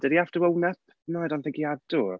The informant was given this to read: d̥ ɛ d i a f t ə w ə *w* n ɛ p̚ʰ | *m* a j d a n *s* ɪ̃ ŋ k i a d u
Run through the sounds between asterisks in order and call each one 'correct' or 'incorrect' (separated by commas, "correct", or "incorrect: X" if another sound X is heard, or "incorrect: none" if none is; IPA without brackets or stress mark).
correct, incorrect: n, incorrect: θ